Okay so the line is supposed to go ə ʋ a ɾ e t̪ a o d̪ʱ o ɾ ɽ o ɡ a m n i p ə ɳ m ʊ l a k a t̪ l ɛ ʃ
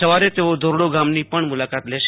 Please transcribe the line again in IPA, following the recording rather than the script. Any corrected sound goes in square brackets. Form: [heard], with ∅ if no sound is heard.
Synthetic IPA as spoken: ə ʋ a ɾ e t̪ [e] o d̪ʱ o ɾ ɽ o ɡ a m n i p ə ɳ m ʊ l a k a t̪ l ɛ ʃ